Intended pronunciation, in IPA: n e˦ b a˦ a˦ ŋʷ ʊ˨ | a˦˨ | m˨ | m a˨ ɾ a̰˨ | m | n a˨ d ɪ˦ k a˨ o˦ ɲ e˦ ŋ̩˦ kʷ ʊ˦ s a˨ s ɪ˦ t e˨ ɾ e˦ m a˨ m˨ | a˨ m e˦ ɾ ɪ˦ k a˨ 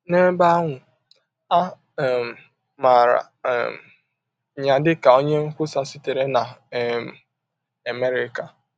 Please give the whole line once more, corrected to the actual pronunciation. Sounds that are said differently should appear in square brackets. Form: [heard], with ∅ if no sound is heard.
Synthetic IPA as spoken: n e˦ b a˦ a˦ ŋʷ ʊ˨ | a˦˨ | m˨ | m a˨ ɾ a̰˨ | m | [ɲ] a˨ d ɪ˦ k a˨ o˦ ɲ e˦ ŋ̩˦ kʷ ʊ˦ s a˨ s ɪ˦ t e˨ ɾ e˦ [n] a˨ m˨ | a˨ m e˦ ɾ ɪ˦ k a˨